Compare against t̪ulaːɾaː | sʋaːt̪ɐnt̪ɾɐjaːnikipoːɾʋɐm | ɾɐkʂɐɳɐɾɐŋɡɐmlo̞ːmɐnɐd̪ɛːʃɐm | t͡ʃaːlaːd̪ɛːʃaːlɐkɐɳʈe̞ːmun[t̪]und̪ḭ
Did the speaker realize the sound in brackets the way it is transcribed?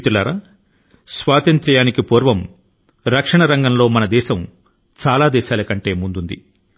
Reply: no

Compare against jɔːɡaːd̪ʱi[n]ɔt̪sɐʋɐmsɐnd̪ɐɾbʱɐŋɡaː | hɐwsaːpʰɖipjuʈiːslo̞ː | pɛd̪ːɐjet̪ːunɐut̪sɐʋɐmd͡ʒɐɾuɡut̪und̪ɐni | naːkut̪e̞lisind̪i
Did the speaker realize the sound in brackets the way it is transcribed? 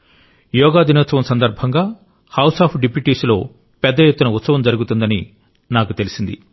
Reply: yes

